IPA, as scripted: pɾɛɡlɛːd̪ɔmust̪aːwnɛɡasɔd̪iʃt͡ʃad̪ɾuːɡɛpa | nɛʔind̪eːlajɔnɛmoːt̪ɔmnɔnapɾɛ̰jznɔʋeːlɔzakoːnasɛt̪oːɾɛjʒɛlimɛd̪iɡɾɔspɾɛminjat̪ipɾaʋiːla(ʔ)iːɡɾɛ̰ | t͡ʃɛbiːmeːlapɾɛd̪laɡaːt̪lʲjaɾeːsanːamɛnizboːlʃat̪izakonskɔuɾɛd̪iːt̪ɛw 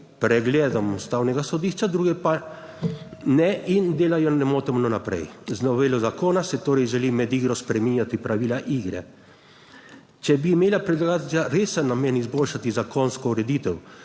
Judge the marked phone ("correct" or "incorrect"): correct